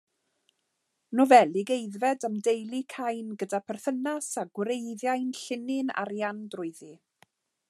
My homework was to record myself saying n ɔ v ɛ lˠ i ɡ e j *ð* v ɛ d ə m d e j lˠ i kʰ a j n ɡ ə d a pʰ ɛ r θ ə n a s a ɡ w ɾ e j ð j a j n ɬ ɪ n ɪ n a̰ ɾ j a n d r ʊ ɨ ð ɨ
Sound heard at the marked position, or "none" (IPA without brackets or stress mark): ð